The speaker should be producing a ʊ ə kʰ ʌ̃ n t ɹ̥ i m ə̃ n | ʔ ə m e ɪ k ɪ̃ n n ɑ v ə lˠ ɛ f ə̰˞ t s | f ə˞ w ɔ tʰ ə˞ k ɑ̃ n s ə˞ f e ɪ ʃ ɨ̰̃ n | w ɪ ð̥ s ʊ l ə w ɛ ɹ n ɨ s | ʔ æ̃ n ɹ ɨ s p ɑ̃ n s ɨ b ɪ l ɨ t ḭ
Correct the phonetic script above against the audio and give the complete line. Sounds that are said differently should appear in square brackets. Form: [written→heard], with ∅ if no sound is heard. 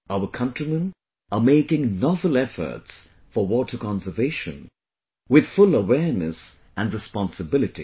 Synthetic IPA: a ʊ ə kʰ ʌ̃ n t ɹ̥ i m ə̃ n | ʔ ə m e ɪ k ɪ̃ [n→ŋ] n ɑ v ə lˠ ɛ f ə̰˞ t s | f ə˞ w ɔ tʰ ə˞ k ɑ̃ n s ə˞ [f→v] e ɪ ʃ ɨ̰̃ n | w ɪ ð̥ [s→f] ʊ l ə w ɛ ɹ n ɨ s | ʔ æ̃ n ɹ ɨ s p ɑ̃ n s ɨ b ɪ l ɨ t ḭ